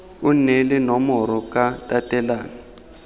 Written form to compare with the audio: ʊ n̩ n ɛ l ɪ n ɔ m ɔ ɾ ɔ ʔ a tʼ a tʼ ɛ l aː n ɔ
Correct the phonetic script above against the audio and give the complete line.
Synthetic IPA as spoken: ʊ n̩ n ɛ l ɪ n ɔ m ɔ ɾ ɔ k a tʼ a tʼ ɛ l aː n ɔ